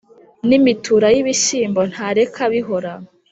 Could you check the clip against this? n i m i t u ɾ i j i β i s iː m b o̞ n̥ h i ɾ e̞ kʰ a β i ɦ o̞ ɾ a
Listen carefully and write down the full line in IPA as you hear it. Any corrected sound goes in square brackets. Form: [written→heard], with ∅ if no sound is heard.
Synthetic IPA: n i m i t u ɾ [i→a] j i β i [s→ʃ] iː m b o̞ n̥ h [i→a] ɾ e̞ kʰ a β i ɦ o̞ ɾ a